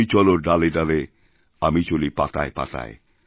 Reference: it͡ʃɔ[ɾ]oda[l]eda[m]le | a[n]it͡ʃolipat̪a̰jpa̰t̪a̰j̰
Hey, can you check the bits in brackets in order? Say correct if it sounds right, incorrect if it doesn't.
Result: incorrect: l, correct, incorrect: none, incorrect: m

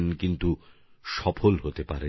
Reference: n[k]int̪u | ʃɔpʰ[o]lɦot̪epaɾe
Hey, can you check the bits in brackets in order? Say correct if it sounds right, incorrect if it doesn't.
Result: correct, correct

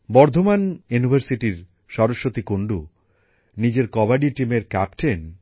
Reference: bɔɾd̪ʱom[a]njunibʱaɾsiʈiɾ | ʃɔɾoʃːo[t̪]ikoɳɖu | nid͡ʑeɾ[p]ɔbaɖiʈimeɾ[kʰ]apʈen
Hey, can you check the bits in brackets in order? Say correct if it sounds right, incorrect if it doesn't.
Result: correct, correct, incorrect: k, incorrect: k

